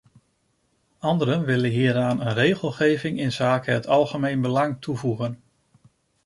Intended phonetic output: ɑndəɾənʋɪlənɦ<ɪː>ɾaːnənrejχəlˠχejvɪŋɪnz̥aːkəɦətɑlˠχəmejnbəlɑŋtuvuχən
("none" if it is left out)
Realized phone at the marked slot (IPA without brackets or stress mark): iː